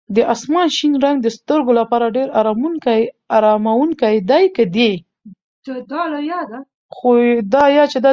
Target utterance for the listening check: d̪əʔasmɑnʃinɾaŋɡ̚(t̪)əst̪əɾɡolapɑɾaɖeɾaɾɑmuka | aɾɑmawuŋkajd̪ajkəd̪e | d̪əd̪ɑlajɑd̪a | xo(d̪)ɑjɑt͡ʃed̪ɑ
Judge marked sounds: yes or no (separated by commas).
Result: no, yes